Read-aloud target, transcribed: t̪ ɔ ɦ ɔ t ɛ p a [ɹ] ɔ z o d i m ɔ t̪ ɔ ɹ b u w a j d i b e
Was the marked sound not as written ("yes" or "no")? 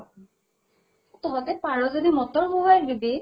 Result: no